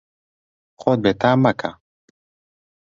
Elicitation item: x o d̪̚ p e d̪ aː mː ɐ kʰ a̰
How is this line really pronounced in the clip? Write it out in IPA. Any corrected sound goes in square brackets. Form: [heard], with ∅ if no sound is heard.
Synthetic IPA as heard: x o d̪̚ [b] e [t̪] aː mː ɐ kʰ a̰